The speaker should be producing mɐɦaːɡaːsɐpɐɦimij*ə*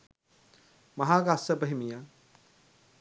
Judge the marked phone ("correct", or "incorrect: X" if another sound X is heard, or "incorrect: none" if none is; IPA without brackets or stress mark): incorrect: a